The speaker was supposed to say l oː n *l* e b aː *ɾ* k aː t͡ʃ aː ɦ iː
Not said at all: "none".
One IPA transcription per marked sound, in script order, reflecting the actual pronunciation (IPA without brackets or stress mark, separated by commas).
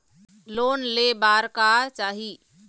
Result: l, ɾ